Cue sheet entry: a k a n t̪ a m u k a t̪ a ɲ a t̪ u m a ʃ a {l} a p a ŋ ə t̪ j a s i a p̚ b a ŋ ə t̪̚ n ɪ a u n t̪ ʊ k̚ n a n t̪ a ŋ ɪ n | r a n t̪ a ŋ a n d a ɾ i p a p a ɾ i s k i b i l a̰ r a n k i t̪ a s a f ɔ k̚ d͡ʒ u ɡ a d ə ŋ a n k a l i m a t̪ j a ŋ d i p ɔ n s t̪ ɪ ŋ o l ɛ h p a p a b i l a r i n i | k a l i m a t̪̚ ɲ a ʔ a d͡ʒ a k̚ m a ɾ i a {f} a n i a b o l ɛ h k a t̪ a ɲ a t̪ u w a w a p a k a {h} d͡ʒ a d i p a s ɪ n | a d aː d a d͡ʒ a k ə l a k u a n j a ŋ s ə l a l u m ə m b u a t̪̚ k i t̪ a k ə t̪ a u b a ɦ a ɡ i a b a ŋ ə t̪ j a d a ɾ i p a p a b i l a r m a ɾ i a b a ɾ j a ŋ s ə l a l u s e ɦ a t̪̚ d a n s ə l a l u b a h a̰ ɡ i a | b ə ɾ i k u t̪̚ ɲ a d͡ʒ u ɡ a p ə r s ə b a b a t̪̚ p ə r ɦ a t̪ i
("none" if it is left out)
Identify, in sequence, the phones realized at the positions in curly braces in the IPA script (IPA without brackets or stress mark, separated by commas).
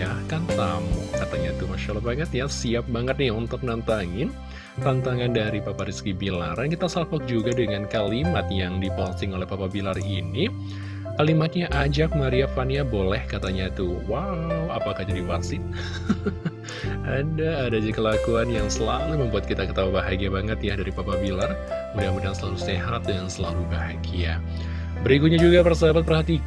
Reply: l, f, h